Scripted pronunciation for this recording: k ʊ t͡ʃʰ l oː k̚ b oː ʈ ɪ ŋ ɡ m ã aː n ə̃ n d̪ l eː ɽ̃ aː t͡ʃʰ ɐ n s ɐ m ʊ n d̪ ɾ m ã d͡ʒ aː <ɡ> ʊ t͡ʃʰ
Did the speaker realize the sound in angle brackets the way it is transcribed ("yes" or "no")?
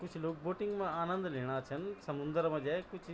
no